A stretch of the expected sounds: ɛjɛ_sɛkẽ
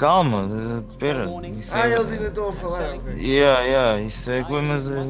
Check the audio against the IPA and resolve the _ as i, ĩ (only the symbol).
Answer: i